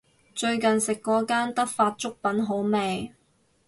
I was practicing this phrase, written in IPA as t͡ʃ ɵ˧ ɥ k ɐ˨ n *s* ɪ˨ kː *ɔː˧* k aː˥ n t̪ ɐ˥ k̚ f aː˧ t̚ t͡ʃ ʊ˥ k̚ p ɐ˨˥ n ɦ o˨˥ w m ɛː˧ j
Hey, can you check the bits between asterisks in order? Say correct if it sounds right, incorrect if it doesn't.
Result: correct, incorrect

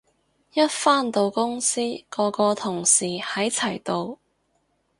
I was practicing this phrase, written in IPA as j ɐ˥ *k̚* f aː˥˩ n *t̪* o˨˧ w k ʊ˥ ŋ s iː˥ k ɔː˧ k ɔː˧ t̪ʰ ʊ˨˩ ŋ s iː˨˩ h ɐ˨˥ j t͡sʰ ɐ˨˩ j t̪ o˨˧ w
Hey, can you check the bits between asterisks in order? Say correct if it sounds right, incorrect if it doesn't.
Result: incorrect, correct

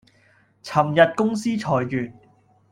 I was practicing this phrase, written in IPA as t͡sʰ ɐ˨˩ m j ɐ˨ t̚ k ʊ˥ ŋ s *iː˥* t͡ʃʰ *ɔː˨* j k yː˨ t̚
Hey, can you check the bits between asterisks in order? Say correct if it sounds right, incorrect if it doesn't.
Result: correct, correct

